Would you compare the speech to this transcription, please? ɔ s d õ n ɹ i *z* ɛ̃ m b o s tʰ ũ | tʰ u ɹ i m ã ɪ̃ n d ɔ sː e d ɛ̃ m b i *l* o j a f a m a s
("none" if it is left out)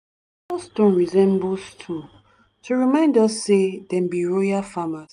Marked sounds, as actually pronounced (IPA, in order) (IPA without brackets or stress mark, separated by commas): z, ɹ